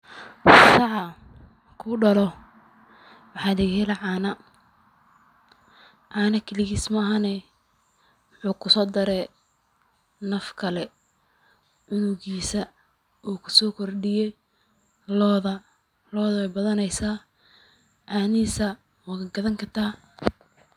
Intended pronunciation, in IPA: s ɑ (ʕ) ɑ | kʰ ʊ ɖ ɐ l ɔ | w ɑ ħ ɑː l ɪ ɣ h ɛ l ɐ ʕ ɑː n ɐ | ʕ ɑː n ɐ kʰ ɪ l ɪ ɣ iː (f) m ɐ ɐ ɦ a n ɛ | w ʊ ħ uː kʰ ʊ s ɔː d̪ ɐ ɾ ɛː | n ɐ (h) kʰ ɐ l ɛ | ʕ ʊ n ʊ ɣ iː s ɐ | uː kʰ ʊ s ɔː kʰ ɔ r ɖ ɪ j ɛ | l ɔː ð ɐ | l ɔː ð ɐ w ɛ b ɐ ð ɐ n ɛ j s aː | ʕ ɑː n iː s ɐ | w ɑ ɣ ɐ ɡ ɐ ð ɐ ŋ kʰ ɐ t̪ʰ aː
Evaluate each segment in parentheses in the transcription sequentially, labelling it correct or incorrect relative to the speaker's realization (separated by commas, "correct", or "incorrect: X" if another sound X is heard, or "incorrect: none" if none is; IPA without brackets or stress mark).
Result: correct, incorrect: s, incorrect: f